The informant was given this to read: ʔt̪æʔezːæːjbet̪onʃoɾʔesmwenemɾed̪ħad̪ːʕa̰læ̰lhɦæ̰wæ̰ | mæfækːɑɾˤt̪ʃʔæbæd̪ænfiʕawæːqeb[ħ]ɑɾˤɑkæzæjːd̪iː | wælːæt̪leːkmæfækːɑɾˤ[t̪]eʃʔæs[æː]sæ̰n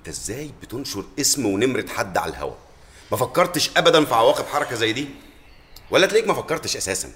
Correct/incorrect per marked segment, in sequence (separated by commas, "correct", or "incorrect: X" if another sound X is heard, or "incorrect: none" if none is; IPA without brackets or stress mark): correct, correct, correct